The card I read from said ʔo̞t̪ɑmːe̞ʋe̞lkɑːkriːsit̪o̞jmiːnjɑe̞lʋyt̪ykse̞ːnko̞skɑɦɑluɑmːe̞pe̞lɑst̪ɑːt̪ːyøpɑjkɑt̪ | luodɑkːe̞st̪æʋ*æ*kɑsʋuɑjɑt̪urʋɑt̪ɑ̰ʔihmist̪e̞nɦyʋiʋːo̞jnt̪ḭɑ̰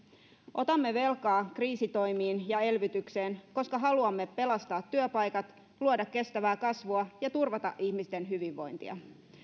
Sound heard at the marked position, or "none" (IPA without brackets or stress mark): æː